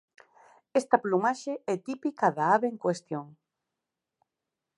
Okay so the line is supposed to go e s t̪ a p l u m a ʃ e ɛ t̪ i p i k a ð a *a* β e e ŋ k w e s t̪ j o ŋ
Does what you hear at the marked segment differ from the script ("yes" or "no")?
no